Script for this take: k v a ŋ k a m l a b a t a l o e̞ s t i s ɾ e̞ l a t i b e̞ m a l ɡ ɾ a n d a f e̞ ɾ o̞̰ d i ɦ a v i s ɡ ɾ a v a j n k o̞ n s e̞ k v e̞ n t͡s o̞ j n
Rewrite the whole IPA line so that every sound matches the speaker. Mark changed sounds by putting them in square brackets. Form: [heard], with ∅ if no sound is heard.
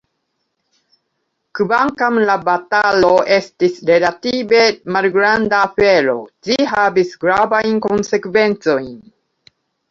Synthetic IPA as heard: k v a ŋ k a m l a b a t a l o e̞ s t i s ɾ e̞ l a t i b e̞ m a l ɡ ɾ a n d a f e̞ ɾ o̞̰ [d͡ʒ] i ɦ a v i s ɡ ɾ a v a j n k o̞ n s e̞ k v e̞ n t͡s o̞ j n